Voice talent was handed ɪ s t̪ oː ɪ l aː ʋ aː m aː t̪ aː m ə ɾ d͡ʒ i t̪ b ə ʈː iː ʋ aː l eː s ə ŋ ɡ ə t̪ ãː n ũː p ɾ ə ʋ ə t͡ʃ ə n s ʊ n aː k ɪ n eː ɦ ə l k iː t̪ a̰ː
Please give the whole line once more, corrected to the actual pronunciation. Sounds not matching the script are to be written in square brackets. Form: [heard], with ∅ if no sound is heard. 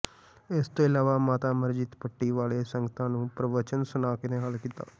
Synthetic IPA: ɪ s t̪ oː ɪ l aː ʋ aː m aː t̪ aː m ə ɾ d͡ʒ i t̪ [p] ə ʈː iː ʋ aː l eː s ə ŋ ɡ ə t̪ ãː n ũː p ɾ ə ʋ ə t͡ʃ ə n s ʊ n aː k ɪ n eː ɦ ə l k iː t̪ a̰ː